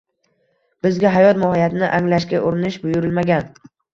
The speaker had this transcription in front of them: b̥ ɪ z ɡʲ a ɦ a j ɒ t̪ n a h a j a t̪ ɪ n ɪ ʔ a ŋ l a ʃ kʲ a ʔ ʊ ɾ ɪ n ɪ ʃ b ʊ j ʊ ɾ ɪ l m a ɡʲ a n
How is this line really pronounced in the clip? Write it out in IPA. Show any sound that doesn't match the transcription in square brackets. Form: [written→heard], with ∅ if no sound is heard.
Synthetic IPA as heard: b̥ ɪ z ɡʲ a ɦ a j ɒ t̪ [n→m] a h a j a t̪ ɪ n ɪ ʔ a ŋ l a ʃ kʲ a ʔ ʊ ɾ ɪ n ɪ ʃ b ʊ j ʊ ɾ ɪ l m a ɡʲ a n